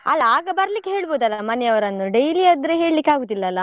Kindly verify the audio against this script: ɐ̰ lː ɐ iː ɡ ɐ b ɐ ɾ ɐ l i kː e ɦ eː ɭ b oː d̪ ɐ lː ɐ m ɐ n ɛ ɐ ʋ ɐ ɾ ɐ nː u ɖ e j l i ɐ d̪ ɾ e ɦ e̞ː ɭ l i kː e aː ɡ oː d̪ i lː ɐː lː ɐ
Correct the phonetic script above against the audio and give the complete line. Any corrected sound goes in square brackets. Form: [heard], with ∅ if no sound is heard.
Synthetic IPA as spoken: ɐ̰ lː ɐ [aː] ɡ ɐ b ɐ ɾ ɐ l i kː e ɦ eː ɭ b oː d̪ ɐ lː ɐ m ɐ n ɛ ɐ ʋ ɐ ɾ ɐ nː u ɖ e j l i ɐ d̪ ɾ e ɦ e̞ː ɭ l i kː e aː ɡ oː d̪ i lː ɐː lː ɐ